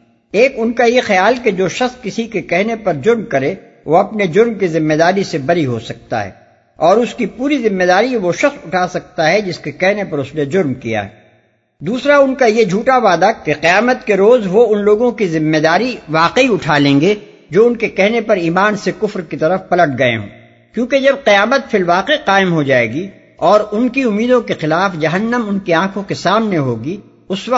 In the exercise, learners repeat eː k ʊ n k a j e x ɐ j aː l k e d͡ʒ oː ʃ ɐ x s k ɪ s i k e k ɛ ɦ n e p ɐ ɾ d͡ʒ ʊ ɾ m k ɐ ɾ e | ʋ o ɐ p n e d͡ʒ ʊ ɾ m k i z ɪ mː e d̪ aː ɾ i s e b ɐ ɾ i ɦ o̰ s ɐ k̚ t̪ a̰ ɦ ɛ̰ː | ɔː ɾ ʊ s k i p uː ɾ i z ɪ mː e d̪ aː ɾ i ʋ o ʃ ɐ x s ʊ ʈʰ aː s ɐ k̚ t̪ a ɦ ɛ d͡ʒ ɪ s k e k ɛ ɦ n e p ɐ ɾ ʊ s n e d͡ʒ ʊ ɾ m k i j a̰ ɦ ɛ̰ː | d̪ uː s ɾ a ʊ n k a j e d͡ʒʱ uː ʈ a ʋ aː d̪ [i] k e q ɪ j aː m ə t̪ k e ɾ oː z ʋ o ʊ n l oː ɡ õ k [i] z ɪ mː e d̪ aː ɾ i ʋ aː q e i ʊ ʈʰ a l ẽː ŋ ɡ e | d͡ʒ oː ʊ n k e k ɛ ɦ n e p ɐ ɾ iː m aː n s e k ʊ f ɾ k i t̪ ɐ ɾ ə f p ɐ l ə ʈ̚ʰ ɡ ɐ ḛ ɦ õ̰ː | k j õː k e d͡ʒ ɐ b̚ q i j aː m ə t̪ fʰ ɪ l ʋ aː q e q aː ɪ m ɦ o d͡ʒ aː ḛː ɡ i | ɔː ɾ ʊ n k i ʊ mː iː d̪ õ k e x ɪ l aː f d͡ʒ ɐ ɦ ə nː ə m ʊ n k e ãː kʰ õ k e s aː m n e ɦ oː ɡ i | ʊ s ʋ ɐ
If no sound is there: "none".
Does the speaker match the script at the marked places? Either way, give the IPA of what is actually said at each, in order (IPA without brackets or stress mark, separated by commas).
a, i